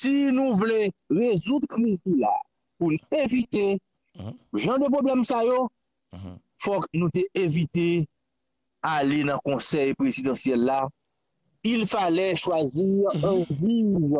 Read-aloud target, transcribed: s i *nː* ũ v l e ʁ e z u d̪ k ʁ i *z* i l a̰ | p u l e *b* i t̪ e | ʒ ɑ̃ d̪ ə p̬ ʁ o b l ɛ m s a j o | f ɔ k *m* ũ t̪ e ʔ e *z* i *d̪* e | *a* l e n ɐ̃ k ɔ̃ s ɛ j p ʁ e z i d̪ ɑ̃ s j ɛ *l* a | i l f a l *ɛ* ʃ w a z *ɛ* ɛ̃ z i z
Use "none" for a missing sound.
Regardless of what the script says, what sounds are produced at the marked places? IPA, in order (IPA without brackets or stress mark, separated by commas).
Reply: n, z, v, n, v, t̪, a, lː, ɛ, i